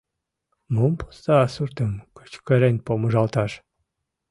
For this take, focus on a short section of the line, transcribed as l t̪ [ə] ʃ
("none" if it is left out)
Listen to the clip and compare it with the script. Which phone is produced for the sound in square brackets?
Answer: ɑ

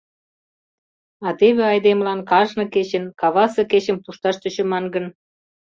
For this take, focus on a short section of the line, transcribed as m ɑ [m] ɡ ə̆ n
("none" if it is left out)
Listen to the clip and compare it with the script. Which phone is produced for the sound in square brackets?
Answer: n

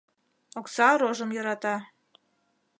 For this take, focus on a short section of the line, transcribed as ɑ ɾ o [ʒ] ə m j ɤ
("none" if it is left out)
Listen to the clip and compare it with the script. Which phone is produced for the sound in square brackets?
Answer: ʒ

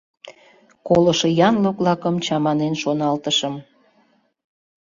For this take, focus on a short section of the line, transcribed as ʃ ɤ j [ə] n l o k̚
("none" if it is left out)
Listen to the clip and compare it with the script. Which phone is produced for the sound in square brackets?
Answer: ɑ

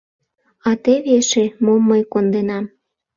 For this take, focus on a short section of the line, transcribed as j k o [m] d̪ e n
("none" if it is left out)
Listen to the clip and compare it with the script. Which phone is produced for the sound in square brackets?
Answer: n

